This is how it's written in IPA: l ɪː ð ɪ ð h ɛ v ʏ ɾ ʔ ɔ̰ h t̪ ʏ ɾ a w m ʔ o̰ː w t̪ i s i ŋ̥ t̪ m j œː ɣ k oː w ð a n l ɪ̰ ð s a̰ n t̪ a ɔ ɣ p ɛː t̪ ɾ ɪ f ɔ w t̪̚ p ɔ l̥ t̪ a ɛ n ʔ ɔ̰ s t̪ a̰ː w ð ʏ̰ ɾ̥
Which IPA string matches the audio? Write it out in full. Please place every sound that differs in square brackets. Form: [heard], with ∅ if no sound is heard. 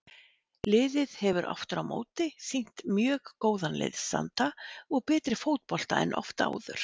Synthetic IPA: l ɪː ð ɪ ð h ɛ v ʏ ɾ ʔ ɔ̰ [f] t̪ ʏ ɾ a w m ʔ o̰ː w t̪ [ɪ] s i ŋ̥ t̪ m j œː ɣ k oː w ð a n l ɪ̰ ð s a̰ n t̪ a ɔ ɣ p ɛː t̪ ɾ ɪ f [o] w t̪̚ p ɔ l̥ t̪ a ɛ n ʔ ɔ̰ [f] t̪ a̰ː w ð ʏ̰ ɾ̥